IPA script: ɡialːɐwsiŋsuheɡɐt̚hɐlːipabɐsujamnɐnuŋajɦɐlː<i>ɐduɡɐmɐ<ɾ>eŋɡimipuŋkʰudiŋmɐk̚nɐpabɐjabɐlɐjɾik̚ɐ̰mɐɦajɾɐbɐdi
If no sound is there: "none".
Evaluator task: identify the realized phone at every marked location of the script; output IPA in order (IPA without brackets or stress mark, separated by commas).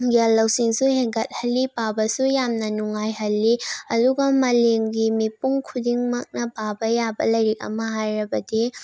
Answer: i, l